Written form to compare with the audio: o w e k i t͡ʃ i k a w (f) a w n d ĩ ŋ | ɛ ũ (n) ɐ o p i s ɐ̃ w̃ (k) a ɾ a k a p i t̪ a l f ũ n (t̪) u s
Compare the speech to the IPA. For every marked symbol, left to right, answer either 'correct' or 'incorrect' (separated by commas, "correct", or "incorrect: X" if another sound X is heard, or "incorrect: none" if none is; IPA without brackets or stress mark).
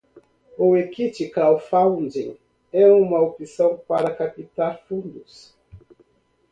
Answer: correct, incorrect: m, incorrect: p, incorrect: d̪